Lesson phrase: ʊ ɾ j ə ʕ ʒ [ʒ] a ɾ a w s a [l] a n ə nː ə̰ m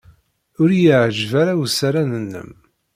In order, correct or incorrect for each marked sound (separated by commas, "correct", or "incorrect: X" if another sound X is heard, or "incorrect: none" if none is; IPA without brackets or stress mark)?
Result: incorrect: v, incorrect: ɾ